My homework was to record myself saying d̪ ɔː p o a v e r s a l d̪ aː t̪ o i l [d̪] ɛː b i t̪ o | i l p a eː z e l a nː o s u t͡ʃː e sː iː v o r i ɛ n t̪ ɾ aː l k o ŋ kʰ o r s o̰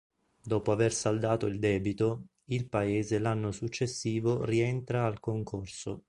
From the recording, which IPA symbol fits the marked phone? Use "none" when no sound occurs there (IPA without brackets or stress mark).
d̪